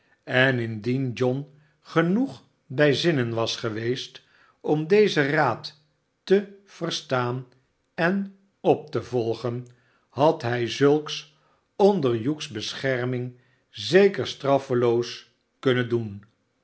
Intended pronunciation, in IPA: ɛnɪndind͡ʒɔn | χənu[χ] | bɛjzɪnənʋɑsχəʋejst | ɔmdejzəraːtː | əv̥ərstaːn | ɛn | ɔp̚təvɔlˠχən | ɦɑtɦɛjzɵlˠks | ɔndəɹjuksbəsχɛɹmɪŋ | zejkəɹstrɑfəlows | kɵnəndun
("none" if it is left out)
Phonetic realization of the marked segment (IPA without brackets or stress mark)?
χ